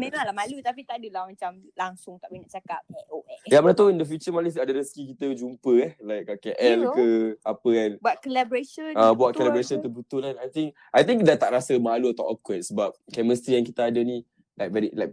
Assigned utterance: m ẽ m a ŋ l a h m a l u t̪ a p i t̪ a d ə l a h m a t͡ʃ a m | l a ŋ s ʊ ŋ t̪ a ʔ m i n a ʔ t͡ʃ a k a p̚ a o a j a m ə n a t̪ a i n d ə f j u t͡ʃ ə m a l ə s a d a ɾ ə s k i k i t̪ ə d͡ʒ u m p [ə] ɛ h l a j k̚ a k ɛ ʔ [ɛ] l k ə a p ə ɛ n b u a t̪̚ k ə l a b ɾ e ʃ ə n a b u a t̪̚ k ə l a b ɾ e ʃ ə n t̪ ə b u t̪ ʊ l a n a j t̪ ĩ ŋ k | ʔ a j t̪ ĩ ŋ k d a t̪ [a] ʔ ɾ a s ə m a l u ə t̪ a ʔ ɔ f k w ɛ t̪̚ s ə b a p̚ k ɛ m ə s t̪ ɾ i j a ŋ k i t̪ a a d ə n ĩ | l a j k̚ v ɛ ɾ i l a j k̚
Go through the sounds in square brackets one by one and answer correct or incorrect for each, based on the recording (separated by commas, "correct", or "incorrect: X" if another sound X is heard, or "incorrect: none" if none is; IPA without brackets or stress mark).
correct, correct, correct